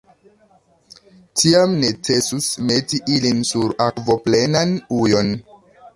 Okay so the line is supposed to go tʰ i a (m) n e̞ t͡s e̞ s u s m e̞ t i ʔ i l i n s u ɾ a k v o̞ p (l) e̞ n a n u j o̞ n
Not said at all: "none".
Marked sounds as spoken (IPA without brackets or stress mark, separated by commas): m, l